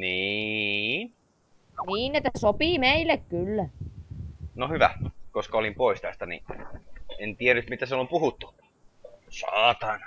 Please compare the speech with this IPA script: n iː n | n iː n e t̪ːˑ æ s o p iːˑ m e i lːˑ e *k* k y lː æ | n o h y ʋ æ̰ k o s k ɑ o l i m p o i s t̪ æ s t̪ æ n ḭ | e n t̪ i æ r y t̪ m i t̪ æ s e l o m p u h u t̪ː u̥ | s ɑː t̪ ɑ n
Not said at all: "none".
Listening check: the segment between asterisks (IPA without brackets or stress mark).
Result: k